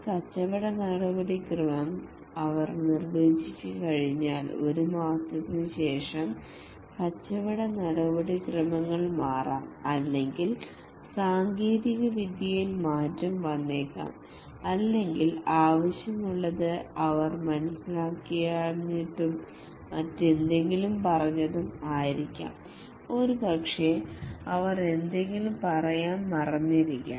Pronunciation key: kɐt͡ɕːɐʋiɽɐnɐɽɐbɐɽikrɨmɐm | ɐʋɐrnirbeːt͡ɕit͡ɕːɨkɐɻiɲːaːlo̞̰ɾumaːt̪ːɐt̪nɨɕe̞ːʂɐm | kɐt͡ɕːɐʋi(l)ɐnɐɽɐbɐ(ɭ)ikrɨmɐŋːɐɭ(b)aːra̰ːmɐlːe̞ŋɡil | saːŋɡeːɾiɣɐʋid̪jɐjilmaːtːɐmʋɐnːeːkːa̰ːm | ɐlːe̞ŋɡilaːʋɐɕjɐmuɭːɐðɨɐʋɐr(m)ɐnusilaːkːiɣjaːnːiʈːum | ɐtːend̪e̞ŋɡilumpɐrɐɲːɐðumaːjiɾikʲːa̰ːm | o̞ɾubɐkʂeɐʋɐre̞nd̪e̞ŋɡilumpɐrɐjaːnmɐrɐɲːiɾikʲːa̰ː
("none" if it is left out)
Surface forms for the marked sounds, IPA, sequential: ɽ, ɽ, m, m

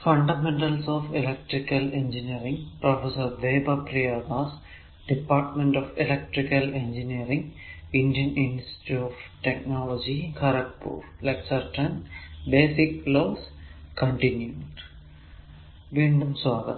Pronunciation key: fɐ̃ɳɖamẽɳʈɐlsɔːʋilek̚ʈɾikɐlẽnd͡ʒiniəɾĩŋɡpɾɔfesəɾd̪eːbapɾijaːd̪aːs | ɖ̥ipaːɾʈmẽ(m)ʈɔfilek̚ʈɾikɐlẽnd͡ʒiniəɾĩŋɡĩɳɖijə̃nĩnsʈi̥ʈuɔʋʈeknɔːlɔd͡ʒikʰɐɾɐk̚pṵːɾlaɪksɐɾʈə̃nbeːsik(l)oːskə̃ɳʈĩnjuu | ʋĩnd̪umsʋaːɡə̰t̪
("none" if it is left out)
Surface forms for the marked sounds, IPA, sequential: ɳ, l

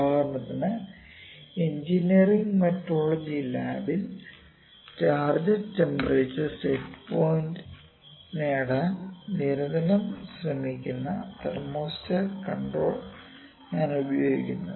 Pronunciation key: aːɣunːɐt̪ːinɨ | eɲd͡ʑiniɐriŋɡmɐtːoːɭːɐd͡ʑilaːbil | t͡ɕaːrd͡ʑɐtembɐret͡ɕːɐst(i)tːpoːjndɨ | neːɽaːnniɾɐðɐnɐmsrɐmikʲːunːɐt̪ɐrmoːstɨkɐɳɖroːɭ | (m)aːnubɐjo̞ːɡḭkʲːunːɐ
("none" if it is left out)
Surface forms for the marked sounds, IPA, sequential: e, ɲ

